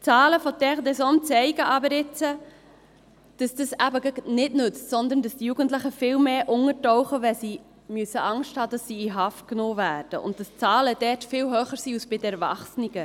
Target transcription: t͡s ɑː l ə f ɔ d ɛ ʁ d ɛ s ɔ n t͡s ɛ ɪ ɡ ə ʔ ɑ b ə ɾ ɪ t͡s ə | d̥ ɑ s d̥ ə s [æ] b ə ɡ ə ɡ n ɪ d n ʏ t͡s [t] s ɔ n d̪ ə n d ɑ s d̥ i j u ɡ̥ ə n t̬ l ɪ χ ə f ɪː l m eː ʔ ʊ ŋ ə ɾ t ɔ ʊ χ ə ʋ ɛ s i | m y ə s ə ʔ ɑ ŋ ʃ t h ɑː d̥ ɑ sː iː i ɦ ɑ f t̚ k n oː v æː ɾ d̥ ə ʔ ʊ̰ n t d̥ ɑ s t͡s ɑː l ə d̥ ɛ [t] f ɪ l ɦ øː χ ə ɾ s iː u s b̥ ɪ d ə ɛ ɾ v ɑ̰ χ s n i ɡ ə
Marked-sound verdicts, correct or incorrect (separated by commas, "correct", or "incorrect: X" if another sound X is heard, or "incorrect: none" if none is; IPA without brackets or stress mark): correct, correct, correct